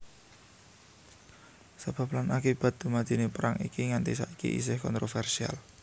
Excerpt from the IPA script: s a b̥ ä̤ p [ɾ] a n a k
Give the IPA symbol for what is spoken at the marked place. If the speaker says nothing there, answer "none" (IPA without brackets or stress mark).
l